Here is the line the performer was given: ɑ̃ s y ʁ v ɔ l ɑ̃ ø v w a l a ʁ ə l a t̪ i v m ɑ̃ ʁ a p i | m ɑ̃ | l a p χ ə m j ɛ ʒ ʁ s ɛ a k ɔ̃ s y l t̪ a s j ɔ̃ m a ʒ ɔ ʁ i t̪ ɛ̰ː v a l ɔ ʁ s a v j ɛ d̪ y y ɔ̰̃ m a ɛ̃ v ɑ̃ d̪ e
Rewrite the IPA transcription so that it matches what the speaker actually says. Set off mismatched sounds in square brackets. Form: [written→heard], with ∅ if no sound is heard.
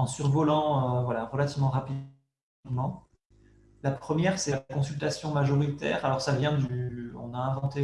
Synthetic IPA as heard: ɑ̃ s y ʁ v ɔ l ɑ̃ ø v w a l a ʁ ə l a t̪ i v m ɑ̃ ʁ a p i | m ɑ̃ | l a p χ ə m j ɛ [ʒ→∅] ʁ s ɛ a k ɔ̃ s y l t̪ a s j ɔ̃ m a ʒ ɔ ʁ i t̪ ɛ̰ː [v→ʁ] a l ɔ ʁ s a v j [ɛ→ɛ̃] d̪ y y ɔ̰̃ [m→n] a ɛ̃ v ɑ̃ [d̪→t̪] e

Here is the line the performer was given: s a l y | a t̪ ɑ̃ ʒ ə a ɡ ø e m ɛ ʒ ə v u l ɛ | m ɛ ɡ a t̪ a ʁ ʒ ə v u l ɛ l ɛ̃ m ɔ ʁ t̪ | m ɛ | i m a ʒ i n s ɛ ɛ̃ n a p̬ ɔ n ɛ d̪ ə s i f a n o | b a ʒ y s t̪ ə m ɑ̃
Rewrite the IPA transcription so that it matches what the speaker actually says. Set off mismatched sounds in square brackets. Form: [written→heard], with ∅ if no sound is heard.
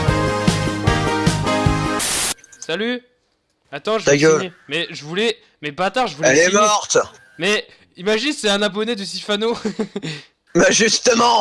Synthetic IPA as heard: s a l y | a t̪ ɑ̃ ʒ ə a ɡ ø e m ɛ ʒ ə v u l ɛ | m ɛ [ɡ→b] a t̪ a ʁ ʒ ə v u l ɛ l [ɛ̃→ɛ] m ɔ ʁ t̪ | m ɛ | i m a ʒ i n s ɛ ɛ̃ n a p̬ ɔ n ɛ d̪ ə s i f a n o | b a ʒ y s t̪ ə m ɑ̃

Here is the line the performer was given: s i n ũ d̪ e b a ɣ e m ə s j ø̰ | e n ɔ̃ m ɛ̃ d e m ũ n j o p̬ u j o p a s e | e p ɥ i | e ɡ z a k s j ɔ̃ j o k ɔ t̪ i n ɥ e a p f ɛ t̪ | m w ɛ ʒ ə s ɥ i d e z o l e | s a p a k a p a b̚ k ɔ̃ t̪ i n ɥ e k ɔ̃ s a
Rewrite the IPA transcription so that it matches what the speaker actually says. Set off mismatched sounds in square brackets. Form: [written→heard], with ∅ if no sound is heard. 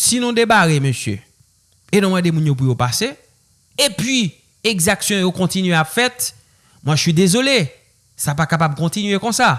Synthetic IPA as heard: s i n ũ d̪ e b a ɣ e m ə s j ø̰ | e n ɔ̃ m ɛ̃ d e m ũ n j o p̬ u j o p a s e | e p ɥ i | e ɡ z a k s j ɔ̃ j o k [ɔ→ɔ̃] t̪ i n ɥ e a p f ɛ t̪ | m w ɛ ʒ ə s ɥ i d e z o l e | s a p a k a p a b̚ k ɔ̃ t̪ i n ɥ e k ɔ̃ s a

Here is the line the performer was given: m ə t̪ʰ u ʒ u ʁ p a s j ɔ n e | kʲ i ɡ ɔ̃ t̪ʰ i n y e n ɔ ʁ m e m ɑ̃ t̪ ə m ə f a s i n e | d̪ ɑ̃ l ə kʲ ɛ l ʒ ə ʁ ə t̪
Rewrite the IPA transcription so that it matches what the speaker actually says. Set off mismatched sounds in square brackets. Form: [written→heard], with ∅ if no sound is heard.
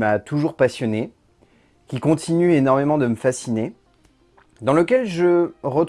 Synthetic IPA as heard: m [ə→a] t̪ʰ u ʒ u ʁ p a s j ɔ n e | kʲ i [ɡ→k] ɔ̃ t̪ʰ i n y e n ɔ ʁ m e m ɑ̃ [t̪→d̪] ə m ə f a s i n e | d̪ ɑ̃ l ə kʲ ɛ l ʒ ə ʁ ə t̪

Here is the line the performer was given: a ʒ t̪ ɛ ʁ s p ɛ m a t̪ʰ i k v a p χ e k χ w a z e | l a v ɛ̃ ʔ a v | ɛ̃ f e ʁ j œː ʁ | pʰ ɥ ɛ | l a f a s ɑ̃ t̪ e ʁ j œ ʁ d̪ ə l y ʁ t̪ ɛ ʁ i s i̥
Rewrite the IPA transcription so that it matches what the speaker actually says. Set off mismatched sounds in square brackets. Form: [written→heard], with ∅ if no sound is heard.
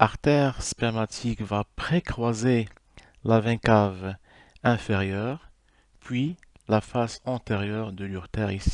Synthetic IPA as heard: a [ʒ→ʁ] t̪ ɛ ʁ s p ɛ m a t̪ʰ i k v a p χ e k χ w a z e | l a v ɛ̃ [ʔ→k] a v | ɛ̃ f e ʁ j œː ʁ | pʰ ɥ [ɛ→i] | l a f a s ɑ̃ t̪ e ʁ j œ ʁ d̪ ə l y ʁ t̪ ɛ ʁ i s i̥

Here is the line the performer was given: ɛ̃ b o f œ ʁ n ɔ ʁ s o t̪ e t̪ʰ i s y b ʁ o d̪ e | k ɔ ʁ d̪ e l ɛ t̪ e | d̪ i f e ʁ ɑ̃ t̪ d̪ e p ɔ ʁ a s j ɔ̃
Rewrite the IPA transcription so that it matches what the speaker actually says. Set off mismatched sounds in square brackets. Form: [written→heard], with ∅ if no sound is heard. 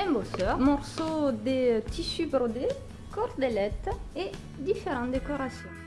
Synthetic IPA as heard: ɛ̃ b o [f→s] œ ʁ [n→m] ɔ ʁ s o [t̪→d̪] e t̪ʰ i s y b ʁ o d̪ e | k ɔ ʁ d̪ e l ɛ t̪ e | d̪ i f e ʁ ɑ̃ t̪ d̪ e [p→k] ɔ ʁ a s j ɔ̃

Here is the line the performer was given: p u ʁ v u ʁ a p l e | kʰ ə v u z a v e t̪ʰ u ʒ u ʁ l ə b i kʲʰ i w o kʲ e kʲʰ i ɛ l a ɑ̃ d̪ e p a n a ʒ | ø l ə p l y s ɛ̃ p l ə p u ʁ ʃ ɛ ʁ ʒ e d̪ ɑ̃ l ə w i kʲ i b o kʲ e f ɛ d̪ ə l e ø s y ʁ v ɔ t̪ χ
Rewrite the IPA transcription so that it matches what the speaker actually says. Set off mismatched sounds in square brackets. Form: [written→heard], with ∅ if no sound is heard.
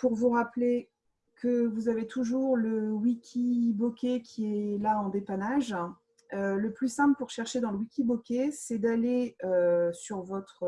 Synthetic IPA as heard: p u ʁ v u ʁ a p l e | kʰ ə v u z a v e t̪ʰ u ʒ u ʁ l ə [b→w] i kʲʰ i [w→b] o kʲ e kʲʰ i ɛ l a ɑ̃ d̪ e p a n a ʒ | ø l ə p l y s ɛ̃ p l ə p u ʁ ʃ ɛ ʁ [ʒ→ʃ] e d̪ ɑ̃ l ə w i kʲ i b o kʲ e [f→s] ɛ d̪ [ə→a] l e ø s y ʁ v ɔ t̪ χ

